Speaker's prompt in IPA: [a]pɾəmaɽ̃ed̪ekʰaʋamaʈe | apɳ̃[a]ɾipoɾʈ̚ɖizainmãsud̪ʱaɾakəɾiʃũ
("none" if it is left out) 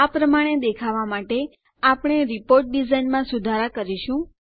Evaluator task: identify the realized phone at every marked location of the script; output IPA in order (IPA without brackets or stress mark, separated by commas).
a, e